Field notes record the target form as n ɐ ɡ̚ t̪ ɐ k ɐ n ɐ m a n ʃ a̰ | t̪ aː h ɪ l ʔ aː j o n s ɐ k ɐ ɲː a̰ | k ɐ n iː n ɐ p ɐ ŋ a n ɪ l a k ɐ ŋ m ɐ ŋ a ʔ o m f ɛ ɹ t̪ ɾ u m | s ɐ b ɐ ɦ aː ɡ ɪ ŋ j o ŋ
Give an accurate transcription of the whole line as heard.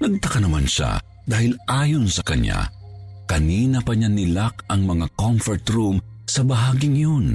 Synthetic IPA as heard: n ɐ ɡ̚ t̪ ɐ k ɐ n ɐ m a n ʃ a̰ | d̪ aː h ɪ l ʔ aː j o n s ɐ k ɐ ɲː a̰ | k ɐ n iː n ɐ p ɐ ɲ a n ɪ l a k ɐ ŋ m ɐ ŋ a k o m f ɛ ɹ t̪ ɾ u m | s ɐ b ɐ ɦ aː ɡ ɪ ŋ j o n